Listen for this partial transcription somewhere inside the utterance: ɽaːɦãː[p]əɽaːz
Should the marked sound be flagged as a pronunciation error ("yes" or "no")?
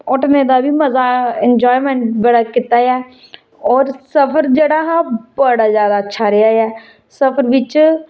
yes